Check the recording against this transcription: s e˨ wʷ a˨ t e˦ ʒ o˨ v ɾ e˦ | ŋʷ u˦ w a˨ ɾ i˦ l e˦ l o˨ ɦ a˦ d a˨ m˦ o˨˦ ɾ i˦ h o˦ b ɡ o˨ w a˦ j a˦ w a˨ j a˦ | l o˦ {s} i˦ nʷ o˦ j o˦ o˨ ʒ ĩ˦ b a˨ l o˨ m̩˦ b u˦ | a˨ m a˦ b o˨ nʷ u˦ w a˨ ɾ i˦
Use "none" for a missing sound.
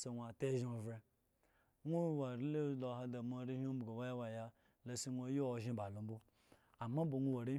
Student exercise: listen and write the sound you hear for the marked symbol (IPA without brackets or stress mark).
s